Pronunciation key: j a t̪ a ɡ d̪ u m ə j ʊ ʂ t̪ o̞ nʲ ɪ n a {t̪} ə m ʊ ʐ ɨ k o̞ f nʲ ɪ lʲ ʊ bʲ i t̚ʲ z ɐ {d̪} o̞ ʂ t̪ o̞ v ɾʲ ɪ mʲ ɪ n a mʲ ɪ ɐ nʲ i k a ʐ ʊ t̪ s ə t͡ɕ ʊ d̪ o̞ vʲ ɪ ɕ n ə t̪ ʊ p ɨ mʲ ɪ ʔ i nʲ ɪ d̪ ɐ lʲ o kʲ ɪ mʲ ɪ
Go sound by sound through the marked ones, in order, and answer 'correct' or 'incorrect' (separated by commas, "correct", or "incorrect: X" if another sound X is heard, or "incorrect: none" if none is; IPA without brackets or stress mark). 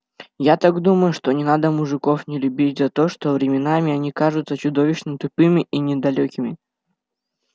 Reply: incorrect: d̪, incorrect: t̪